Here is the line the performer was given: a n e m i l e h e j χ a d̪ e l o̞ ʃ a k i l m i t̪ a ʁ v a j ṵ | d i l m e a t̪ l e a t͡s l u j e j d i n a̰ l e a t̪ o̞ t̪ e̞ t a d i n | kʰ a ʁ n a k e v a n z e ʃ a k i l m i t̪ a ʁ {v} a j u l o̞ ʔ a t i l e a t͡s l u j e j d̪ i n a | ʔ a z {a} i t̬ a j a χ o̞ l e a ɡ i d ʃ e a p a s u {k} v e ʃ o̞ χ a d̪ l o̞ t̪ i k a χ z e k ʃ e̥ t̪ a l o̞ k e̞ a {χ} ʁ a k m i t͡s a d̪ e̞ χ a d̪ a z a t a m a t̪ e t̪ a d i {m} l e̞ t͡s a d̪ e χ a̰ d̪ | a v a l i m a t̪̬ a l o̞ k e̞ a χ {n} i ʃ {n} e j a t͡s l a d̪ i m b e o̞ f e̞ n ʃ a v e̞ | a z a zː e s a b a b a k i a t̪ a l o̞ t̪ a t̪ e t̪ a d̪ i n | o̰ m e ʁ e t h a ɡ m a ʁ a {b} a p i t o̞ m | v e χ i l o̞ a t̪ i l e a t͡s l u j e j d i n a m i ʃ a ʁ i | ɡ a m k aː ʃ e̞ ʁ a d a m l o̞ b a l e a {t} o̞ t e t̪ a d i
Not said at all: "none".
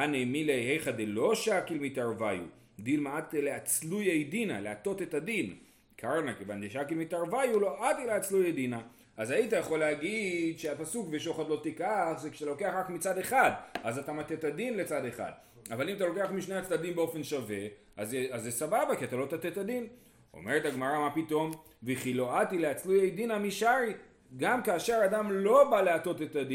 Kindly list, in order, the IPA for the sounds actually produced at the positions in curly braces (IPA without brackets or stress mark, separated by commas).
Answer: v, a, k, χ, n, m, n, m, t